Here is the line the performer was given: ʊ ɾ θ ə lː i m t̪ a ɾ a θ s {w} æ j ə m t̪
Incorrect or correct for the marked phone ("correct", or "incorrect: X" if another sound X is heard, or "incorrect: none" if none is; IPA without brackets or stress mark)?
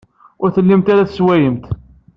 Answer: correct